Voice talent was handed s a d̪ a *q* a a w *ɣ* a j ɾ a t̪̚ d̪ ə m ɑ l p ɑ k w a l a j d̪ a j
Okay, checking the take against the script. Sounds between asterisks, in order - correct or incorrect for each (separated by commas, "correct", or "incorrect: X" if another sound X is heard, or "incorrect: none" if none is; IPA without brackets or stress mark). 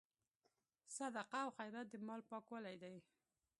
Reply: correct, incorrect: x